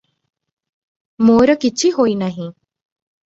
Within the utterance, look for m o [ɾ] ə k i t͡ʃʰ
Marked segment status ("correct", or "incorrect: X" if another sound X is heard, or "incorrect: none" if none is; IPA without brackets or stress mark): correct